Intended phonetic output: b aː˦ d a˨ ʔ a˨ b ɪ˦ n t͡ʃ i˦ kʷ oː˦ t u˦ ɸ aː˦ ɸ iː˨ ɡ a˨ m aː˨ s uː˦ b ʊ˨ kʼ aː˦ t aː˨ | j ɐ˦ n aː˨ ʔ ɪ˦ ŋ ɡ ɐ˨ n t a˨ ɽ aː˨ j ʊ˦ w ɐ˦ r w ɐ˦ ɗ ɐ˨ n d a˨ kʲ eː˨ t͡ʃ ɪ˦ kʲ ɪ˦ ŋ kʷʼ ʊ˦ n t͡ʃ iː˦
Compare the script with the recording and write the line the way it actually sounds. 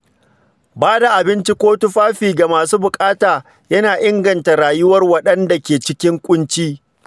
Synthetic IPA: b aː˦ d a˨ ʔ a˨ b ɪ˦ n t͡ʃ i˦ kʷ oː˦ t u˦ ɸ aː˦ ɸ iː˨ ɡ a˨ m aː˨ s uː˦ b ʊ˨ kʼ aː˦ t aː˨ | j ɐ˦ n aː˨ ʔ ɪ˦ ŋ ɡ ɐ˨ n t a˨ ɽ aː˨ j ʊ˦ w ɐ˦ r w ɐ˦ ɗ ɐ˦ n d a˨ kʲ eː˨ t͡ʃ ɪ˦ kʲ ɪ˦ ŋ kʷʼ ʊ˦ n t͡ʃ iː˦